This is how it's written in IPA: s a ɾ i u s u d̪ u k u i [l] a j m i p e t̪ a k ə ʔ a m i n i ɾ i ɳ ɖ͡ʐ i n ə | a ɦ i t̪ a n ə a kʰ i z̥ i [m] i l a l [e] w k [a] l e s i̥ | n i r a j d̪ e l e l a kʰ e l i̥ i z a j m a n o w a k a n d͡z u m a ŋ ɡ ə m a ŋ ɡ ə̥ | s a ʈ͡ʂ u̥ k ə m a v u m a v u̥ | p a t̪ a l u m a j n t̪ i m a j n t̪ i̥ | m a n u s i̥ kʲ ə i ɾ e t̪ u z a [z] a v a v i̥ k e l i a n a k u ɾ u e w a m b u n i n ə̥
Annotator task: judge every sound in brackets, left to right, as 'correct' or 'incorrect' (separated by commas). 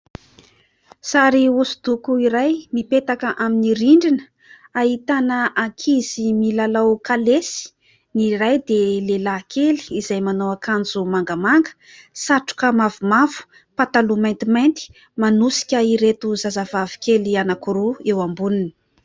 incorrect, correct, incorrect, correct, correct